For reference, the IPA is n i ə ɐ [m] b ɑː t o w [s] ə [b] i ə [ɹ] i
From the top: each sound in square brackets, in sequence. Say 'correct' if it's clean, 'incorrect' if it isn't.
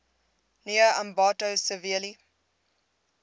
correct, correct, incorrect: v, incorrect: l

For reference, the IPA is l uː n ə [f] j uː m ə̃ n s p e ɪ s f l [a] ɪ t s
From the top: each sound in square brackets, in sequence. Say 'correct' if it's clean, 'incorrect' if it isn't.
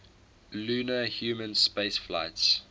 incorrect: h, correct

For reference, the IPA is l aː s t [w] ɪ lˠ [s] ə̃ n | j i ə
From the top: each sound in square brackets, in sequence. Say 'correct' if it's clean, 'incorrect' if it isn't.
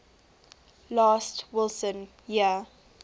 correct, correct

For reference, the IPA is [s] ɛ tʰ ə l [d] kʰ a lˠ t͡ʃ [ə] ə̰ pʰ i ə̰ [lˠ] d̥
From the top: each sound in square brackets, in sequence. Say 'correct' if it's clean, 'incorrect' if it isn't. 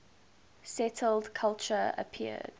correct, correct, correct, incorrect: none

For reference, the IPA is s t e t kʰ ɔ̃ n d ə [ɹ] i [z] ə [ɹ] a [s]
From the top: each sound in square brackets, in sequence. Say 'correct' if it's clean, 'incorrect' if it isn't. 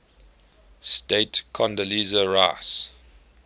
incorrect: l, correct, correct, correct

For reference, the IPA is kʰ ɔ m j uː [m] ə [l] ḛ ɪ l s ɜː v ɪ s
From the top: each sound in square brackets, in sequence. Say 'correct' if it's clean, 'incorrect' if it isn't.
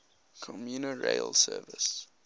incorrect: n, incorrect: ɹ

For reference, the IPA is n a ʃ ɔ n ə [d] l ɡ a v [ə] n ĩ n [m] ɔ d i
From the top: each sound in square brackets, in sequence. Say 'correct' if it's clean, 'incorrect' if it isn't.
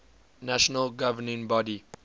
incorrect: none, correct, incorrect: b

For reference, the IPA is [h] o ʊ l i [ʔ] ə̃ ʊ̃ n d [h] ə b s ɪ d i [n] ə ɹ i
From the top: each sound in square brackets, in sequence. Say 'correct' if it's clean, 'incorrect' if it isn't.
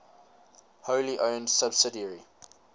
correct, correct, incorrect: s, incorrect: none

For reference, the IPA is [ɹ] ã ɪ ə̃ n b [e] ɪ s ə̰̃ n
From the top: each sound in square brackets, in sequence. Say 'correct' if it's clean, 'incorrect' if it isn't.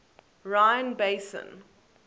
correct, correct

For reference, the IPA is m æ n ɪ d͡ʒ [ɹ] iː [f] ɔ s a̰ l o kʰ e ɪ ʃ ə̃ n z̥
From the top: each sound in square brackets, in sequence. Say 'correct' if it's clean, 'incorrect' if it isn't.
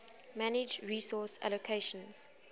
correct, incorrect: s

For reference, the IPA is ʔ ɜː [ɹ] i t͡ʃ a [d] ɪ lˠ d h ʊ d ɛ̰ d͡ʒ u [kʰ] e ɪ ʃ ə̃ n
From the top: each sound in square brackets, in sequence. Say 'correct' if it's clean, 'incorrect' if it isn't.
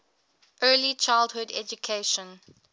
incorrect: l, incorrect: none, correct

